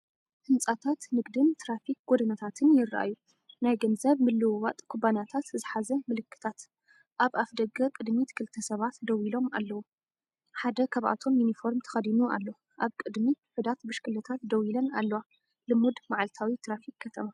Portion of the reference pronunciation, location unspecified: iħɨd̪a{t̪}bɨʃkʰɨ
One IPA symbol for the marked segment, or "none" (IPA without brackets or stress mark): t̪